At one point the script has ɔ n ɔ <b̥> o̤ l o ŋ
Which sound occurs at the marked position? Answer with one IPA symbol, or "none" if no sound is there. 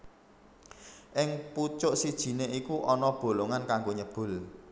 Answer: b̥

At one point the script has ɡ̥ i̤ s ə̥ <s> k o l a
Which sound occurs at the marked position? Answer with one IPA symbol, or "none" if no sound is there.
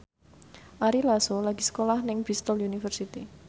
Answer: none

